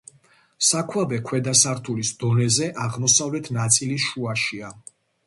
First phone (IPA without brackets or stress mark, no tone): s